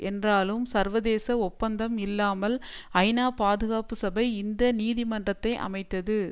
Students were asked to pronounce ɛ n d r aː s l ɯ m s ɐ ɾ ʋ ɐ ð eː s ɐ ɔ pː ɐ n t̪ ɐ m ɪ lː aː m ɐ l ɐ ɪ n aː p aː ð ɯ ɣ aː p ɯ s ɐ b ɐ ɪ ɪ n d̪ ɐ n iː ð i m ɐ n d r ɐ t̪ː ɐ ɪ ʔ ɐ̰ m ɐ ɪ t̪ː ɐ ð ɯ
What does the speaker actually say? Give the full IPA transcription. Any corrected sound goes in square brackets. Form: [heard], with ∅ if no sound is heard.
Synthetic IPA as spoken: ɛ n d r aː [∅] l ɯ m s ɐ ɾ ʋ ɐ ð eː s ɐ ɔ pː ɐ n [d̪] ɐ m ɪ lː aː m ɐ l ɐ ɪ n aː p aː ð ɯ ɣ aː p ɯ s ɐ b ɐ ɪ ɪ n d̪ ɐ n iː ð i m ɐ n d r ɐ t̪ː ɐ ɪ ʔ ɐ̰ m ɐ ɪ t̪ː ɐ ð ɯ